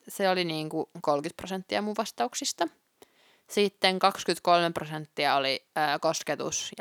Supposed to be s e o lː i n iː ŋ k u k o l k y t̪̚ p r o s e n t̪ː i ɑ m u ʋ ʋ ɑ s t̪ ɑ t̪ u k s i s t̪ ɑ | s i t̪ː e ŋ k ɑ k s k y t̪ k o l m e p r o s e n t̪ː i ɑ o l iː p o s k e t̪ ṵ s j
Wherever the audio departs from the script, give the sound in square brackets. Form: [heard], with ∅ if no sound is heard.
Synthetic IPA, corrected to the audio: s e o [l] i n iː ŋ k u k o l k y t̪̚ p r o s e n t̪ː i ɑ m u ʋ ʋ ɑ s t̪ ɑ [∅] u k s i s t̪ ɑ | s i t̪ː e ŋ k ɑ k s k y t̪ k o l m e p r o s e n t̪ː i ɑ o l iː [k] o s k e t̪ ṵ s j